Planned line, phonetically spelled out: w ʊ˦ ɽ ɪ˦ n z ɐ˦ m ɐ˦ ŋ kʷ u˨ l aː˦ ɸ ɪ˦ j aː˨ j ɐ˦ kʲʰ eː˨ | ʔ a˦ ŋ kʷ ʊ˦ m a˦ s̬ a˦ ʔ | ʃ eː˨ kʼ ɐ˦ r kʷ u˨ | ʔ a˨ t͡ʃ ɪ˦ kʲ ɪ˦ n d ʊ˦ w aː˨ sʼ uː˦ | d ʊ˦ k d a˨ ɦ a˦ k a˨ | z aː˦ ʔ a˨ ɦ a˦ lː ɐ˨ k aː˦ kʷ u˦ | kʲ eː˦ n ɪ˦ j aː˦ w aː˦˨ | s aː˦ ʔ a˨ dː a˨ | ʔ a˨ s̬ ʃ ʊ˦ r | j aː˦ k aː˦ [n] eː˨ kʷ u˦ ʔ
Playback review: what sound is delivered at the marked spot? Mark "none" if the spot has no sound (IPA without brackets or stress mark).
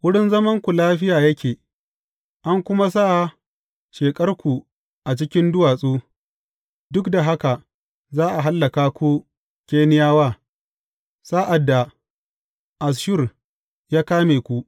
m